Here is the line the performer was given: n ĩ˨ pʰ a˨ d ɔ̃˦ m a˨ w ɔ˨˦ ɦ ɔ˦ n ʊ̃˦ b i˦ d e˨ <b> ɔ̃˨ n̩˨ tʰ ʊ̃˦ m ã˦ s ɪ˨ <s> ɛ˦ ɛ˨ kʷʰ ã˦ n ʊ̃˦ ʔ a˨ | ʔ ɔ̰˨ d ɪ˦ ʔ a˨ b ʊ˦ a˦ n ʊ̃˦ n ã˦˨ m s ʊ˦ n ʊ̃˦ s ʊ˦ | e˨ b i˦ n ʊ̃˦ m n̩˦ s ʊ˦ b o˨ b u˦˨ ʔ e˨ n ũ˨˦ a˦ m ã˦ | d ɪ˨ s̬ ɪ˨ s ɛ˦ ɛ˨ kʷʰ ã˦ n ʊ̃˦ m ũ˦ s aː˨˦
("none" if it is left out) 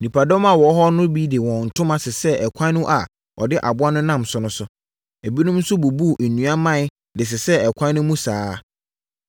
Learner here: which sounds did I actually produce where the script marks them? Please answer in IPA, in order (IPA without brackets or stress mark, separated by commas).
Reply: w, s